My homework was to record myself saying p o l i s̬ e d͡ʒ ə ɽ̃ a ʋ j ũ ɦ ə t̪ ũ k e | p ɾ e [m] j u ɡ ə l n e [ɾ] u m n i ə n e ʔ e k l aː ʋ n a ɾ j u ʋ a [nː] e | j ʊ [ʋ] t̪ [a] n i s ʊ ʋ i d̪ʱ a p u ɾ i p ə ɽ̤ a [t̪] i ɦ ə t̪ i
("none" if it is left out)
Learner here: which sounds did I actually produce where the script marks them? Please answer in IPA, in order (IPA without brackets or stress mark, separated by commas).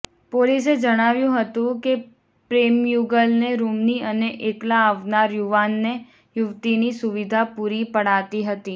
m, ɾ, nː, ʋ, i, t̪